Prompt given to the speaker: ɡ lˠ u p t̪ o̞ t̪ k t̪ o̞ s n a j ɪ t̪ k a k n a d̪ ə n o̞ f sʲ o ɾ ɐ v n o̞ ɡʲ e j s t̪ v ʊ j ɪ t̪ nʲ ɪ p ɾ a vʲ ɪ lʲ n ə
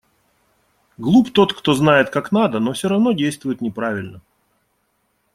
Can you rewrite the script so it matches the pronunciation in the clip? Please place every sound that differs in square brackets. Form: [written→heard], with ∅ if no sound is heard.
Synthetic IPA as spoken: ɡ lˠ u p t̪ o̞ t̪ k t̪ o̞ [s→z] n a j ɪ t̪ k a k n a d̪ ə n o̞ f sʲ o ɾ ɐ v n o̞ [ɡʲ→dʲ] e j s t̪ v ʊ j ɪ t̪ nʲ ɪ p ɾ a vʲ ɪ lʲ n ə